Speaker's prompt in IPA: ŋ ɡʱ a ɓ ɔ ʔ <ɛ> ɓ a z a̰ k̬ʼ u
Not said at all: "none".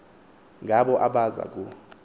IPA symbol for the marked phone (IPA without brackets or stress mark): a